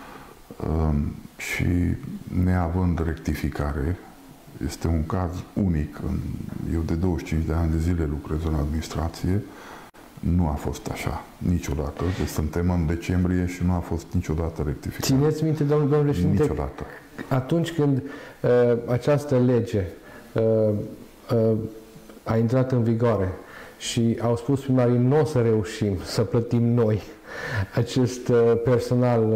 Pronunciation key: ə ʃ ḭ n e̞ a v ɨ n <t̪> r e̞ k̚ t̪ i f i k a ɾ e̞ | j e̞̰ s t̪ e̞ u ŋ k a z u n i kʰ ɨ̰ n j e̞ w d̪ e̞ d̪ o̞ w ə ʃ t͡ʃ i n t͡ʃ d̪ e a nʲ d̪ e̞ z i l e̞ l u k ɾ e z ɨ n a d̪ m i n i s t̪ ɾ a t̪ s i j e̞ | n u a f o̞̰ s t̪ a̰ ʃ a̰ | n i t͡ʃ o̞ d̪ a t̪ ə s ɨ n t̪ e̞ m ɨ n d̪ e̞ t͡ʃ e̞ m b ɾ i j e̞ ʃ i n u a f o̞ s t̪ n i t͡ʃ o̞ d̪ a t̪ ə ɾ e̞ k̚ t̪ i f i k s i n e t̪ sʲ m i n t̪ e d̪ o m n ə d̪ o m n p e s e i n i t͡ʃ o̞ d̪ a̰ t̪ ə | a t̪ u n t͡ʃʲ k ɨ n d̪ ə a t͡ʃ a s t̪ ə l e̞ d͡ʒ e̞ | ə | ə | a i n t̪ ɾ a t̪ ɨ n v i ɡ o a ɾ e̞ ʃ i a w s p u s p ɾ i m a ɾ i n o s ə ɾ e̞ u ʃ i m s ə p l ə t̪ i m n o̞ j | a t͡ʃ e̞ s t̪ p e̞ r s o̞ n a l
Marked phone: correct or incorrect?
incorrect